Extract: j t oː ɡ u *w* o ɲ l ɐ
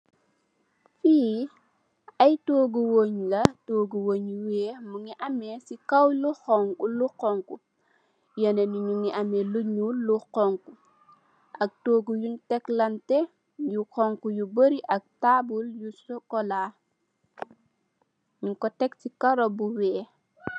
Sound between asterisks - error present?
no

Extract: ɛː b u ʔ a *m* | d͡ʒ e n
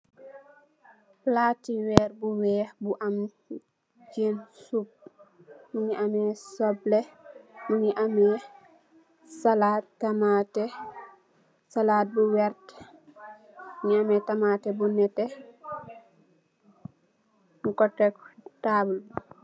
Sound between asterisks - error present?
no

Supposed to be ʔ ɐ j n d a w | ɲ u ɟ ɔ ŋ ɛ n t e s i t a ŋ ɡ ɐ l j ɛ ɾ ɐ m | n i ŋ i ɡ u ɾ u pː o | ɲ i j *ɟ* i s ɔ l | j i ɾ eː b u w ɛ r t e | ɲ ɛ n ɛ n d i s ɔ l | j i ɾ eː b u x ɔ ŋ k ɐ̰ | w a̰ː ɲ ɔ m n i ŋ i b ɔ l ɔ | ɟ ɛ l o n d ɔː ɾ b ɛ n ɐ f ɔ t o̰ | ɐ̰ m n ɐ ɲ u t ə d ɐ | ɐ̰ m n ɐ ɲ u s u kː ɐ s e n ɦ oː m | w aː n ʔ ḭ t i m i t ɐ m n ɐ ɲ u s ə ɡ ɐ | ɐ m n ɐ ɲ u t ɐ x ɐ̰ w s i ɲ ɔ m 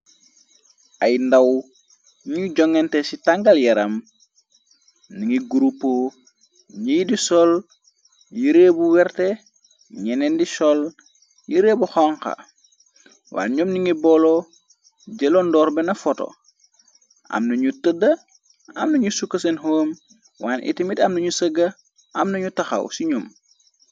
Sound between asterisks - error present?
yes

